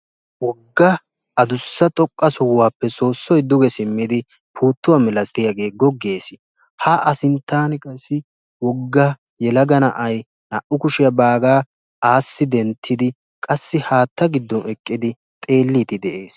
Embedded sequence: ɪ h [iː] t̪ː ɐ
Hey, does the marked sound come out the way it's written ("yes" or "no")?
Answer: no